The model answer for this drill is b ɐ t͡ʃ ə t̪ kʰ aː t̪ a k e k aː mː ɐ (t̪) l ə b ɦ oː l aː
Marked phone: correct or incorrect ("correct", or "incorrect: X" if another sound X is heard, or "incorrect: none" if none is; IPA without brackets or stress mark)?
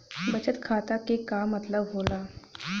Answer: correct